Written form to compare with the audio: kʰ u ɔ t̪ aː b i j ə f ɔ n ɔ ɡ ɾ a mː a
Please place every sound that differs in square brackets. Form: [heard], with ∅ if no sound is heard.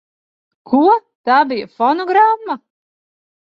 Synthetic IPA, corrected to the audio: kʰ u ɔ t̪ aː b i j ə f ɔ n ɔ ɡ ɾ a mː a